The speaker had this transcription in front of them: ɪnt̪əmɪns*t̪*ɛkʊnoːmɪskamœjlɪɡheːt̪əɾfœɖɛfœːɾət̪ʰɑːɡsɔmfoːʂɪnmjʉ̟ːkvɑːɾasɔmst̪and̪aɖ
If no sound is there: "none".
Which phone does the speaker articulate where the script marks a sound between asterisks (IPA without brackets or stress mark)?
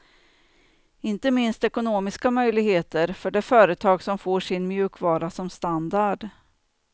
t̪